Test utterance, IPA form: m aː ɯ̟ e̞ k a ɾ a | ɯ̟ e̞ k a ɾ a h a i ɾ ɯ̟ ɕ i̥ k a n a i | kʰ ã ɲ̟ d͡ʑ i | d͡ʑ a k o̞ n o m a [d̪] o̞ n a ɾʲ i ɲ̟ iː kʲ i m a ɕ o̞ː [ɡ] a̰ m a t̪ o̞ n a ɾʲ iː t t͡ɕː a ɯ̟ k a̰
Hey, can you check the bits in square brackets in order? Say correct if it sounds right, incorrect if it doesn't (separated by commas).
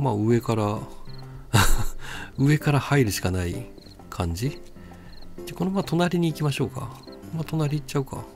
incorrect, incorrect